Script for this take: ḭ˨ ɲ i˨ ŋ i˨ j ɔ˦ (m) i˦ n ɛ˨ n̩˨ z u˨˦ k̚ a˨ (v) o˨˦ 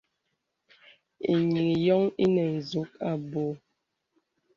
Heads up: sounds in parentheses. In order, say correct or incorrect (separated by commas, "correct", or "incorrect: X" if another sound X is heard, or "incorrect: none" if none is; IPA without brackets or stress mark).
incorrect: ŋ, incorrect: b